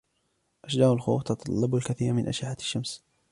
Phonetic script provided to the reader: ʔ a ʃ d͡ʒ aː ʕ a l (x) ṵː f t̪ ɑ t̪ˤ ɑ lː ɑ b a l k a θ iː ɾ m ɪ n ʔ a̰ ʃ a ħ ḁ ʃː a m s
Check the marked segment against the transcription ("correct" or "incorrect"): correct